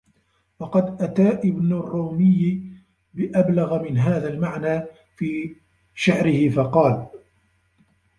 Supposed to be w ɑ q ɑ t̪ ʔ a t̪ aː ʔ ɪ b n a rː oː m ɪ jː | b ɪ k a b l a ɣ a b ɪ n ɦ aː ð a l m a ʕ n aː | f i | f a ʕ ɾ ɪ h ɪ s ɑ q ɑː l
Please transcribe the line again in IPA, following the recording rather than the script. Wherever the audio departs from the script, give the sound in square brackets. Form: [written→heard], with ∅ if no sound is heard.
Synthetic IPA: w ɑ q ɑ [t̪→d̪] ʔ a t̪ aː ʔ ɪ b n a rː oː m ɪ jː | b ɪ [k→ʔ] a b l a ɣ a [b→m] ɪ n ɦ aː ð a l m a ʕ n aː | f [i→iː] | [f→ʃ] a ʕ ɾ ɪ h ɪ [s→f] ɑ q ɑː l